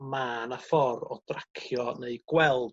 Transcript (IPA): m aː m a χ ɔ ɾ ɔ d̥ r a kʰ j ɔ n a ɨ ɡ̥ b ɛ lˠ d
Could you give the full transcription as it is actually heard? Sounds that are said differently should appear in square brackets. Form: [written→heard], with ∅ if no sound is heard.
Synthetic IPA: m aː [m→n] a [χ→f] ɔ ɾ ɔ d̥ r a kʰ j ɔ n [a→e] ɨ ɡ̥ [b→w] ɛ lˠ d

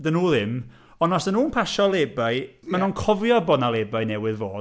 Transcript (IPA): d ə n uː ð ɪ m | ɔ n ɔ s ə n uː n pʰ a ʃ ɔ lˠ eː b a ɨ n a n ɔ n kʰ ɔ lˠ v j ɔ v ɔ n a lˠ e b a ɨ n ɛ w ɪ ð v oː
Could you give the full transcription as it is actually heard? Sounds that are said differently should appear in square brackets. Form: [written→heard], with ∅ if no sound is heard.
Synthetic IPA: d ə n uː ð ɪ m | ɔ n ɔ s ə n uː n pʰ a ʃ ɔ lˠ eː b a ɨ [n→m] a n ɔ n kʰ ɔ [lˠ→∅] v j ɔ [v→b] ɔ n a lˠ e b a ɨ n ɛ w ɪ ð v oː

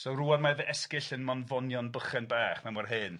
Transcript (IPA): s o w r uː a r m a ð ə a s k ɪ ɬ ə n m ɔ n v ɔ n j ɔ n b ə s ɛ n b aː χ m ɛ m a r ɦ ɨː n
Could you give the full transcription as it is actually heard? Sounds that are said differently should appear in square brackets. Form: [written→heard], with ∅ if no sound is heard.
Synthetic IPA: s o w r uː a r m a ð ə [a→ɛ] s k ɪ ɬ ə n m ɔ n v ɔ n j ɔ n b ə [s→χ] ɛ n b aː χ m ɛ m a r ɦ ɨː n

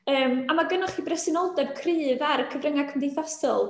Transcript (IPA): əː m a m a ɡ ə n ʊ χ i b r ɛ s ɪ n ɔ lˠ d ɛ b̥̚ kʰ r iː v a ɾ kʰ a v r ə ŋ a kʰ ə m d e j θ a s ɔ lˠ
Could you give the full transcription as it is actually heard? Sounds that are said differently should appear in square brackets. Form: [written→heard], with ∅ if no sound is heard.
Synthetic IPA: əː m a m a ɡ ə n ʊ χ i b r ɛ s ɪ n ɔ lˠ d ɛ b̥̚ kʰ r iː v a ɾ kʰ [a→ə] v r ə ŋ a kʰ ə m d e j θ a s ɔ lˠ

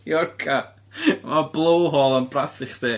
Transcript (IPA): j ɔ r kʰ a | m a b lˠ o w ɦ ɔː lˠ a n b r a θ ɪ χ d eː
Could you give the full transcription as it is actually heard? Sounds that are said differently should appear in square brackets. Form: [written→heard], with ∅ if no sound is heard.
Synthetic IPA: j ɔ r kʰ a | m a b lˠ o w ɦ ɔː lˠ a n b r a θ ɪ χ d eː

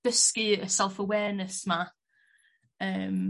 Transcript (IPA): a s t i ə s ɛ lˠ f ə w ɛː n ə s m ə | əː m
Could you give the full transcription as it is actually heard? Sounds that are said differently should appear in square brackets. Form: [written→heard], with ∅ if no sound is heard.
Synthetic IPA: [a→ə] s [t→k] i ə s ɛ lˠ f ə w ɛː n ə s m [ə→a] | əː m

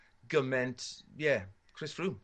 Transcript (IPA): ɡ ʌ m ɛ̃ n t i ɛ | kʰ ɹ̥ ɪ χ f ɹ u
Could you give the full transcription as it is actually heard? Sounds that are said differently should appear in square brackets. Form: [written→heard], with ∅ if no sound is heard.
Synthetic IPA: ɡ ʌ m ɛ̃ n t [i→j] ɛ | kʰ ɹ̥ ɪ [χ→s] f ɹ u

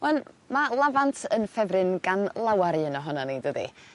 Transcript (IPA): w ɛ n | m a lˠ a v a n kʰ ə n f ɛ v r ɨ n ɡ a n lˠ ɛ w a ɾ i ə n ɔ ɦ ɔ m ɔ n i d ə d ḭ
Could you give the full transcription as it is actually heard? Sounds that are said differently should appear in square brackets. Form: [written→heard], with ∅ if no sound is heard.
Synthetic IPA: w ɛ n | m a lˠ a v a n [kʰ→tʰ] ə n f ɛ v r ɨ n ɡ a n lˠ [ɛ→a] w a ɾ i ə n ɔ ɦ ɔ [m→n] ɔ n i d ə d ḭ

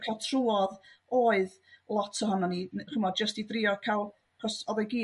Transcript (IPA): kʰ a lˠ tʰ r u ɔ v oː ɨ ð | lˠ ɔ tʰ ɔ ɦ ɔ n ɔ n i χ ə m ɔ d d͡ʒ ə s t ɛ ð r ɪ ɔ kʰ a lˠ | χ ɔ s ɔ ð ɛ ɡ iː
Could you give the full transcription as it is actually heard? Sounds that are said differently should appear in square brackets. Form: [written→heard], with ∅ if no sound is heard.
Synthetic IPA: kʰ a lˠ tʰ r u ɔ [v→ð] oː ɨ ð | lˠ ɔ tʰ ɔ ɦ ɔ n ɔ n i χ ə m ɔ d d͡ʒ ə s t [ɛ→i] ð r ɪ ɔ kʰ a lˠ | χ ɔ s ɔ ð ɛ ɡ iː

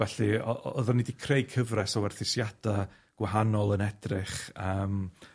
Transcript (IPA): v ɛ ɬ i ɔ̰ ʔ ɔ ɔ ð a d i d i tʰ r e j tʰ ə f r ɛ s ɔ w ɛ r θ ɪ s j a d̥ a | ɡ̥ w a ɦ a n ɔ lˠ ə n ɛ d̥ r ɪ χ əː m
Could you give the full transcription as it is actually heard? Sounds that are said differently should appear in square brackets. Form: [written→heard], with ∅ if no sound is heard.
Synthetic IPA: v ɛ ɬ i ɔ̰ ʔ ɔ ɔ ð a [d→n] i d i [tʰ→kʰ] r e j [tʰ→kʰ] ə [f→v] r ɛ s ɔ w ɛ r θ ɪ s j a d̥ a | ɡ̥ w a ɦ a n ɔ lˠ ə n ɛ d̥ r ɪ χ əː m

